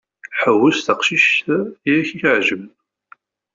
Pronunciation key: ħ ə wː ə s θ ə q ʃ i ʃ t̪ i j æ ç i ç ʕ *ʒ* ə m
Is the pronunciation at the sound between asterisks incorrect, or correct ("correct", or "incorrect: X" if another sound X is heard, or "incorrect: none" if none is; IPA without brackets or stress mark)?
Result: correct